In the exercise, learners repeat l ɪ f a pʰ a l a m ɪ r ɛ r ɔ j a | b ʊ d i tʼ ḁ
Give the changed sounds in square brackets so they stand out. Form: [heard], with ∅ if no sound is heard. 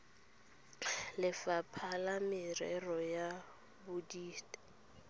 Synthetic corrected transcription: l ɪ f a pʰ a l a m ɪ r ɛ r ɔ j a | b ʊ d [iː] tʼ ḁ